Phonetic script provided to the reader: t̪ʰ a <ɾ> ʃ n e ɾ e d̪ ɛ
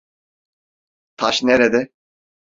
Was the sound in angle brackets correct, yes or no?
no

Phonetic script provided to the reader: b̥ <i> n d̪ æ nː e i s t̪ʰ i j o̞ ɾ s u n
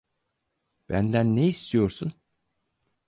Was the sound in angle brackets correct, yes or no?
no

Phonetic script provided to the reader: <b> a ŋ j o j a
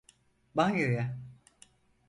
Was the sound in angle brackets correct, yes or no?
yes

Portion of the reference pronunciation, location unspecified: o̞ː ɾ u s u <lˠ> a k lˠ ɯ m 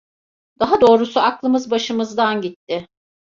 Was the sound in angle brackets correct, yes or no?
no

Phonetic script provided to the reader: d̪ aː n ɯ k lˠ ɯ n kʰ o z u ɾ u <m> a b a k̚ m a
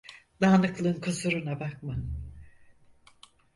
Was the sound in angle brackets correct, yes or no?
no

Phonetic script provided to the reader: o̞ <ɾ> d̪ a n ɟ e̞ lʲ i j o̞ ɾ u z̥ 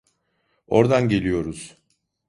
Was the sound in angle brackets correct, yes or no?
yes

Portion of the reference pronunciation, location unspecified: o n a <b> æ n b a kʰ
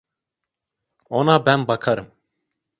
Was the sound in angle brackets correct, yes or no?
yes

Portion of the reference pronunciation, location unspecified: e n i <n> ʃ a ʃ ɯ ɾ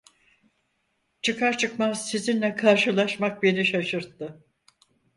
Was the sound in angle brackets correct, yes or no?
no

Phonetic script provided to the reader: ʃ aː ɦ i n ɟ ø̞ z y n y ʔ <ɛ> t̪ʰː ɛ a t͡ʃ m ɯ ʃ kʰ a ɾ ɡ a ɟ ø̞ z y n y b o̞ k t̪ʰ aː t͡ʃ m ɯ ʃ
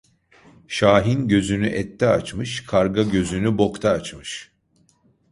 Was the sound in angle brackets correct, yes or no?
yes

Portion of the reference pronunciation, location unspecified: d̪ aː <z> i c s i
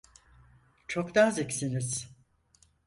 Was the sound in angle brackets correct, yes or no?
yes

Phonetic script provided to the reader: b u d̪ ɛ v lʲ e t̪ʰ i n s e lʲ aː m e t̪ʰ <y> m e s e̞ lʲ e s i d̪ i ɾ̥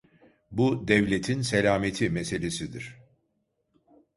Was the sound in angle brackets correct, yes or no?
no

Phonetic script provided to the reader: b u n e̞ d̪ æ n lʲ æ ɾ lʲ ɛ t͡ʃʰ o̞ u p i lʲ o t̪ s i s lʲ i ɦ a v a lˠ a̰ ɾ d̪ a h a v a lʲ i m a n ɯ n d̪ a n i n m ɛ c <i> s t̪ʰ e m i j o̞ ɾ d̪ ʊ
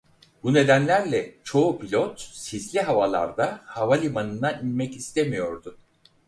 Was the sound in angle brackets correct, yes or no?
yes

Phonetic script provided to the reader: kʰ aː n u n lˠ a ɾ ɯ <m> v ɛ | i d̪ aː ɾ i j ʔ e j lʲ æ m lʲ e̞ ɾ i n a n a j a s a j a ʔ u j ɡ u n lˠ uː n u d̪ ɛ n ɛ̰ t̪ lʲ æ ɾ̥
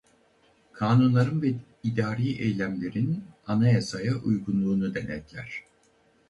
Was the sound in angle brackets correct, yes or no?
no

